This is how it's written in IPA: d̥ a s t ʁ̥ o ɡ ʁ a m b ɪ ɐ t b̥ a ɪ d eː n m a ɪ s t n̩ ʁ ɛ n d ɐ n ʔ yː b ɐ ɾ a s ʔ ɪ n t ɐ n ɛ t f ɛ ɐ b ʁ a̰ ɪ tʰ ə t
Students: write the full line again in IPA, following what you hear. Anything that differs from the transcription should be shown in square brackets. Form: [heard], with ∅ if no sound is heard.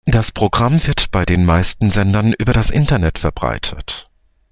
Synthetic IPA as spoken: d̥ a s [p] ʁ̥ o ɡ ʁ a m [v] ɪ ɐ t b̥ a ɪ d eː n m a ɪ s t n̩ [z] ɛ n d ɐ n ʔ yː b ɐ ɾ a s ʔ ɪ n t ɐ n ɛ t f ɛ ɐ b ʁ a̰ ɪ tʰ ə t